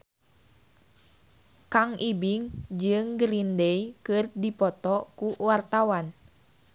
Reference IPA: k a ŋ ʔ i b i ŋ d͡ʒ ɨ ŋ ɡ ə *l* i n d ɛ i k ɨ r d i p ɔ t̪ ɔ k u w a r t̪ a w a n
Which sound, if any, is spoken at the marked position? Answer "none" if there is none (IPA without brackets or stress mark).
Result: ɾ